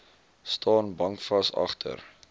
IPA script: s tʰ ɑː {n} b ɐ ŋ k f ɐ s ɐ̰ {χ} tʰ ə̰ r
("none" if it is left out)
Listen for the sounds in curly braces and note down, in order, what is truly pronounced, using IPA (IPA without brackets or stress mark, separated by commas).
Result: n, χ